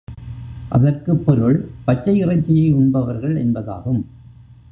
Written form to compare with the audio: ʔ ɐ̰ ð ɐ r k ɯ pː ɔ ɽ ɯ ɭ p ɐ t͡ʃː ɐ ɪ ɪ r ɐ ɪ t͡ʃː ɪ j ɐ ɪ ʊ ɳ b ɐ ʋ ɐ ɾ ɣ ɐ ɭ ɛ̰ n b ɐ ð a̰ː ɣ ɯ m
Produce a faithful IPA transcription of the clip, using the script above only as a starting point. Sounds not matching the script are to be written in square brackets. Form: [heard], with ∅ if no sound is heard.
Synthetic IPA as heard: ʔ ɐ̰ ð ɐ r k ɯ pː ɔ [ɾ] ɯ ɭ p ɐ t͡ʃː ɐ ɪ ɪ r ɐ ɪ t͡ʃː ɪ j ɐ ɪ ʊ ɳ b ɐ ʋ ɐ ɾ ɣ ɐ ɭ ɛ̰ n b ɐ ð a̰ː ɣ ɯ m